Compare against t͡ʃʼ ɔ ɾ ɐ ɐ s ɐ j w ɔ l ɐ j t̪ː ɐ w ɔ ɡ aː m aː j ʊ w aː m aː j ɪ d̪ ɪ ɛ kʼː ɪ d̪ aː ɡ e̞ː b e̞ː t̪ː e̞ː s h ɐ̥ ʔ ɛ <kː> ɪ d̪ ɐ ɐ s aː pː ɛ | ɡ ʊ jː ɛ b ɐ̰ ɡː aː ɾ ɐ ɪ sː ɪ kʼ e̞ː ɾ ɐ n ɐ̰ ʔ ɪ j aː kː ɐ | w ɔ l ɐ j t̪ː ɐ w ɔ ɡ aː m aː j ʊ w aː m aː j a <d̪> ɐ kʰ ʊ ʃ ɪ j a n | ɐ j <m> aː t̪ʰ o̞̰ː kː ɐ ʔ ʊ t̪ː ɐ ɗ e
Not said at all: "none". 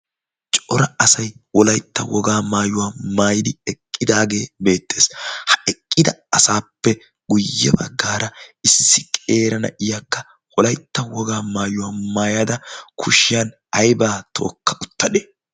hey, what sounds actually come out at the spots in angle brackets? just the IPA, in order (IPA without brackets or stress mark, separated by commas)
kʼː, d̪, b